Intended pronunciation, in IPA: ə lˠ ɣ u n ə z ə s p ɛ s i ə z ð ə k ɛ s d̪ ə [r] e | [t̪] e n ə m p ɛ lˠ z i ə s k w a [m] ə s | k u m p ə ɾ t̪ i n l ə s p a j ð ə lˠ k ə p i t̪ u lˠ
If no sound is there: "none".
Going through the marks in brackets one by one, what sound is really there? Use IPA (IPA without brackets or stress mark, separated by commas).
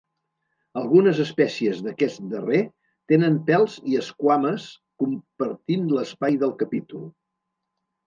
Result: r, t̪, m